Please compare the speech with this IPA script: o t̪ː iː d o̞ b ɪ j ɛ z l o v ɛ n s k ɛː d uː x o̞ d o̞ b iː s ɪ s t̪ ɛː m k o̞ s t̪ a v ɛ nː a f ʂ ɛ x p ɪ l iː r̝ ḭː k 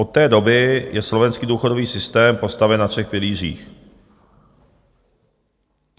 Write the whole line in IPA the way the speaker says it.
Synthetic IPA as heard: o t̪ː ɛː d o̞ b ɪ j ɛ s l o v ɛ n s k iː d uː x o̞ d o̞ v iː s ɪ s t̪ ɛː m p o̞ s t̪ a v ɛ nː a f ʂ ɛ x p ɪ l iː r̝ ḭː x